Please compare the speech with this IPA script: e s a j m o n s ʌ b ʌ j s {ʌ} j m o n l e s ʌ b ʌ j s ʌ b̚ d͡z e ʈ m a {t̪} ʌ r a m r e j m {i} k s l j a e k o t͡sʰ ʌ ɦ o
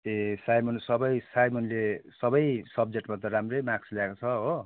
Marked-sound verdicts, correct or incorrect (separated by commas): incorrect, correct, incorrect